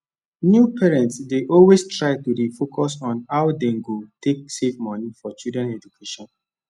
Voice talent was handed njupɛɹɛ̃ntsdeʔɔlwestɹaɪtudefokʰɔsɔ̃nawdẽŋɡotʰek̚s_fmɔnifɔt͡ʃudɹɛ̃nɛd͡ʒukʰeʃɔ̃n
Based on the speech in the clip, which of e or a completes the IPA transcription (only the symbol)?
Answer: e